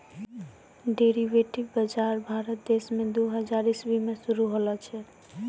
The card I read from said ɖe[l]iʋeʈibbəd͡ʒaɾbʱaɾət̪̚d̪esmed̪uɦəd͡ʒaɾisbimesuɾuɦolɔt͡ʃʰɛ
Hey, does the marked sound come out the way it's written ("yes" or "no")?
no